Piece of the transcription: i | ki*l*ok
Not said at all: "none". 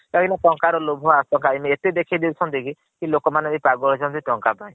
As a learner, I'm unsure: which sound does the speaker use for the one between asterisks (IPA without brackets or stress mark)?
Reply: l